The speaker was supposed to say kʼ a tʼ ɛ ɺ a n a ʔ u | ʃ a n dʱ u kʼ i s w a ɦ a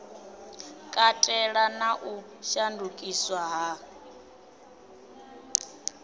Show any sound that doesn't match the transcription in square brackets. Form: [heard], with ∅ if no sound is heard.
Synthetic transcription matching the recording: kʼ a tʼ ɛ ɺ a n a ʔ u | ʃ a n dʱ u kʼ i s w a ɦ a

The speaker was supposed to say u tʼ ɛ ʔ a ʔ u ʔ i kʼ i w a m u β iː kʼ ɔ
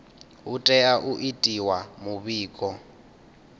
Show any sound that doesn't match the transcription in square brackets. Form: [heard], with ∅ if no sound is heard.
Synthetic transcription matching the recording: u tʼ ɛ [∅] a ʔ u ʔ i [tʼ] i w a m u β iː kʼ ɔ

